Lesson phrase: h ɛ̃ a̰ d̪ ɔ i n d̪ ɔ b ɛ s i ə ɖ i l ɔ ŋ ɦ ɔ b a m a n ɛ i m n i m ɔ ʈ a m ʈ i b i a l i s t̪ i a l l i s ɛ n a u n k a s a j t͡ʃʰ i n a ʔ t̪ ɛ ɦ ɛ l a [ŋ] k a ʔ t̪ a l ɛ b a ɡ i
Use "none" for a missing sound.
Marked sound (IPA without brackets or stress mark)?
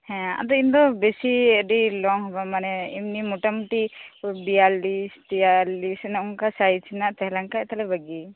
ŋ